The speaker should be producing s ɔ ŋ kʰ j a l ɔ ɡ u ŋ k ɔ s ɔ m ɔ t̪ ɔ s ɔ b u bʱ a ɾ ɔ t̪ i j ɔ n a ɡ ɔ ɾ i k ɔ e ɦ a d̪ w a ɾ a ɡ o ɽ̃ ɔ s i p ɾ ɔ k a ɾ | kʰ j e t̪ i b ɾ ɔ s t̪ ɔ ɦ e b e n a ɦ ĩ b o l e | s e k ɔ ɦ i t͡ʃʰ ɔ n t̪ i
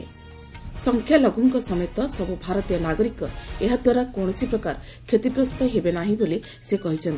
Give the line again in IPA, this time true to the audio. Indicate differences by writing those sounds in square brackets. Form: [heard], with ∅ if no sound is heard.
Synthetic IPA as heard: s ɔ ŋ kʰ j a l ɔ ɡ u ŋ k ɔ s ɔ m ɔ t̪ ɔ s ɔ b u bʱ a ɾ ɔ t̪ i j ɔ n a ɡ ɔ ɾ i k ɔ e ɦ a d̪ w a ɾ a [k] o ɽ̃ ɔ s i p ɾ ɔ k a ɾ | kʰ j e t̪ i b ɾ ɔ s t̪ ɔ ɦ e b e n a ɦ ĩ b o l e | s e k ɔ ɦ i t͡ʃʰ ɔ n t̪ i